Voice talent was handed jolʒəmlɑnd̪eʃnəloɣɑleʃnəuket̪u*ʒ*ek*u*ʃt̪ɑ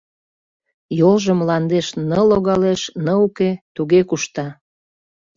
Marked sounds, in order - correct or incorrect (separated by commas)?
incorrect, correct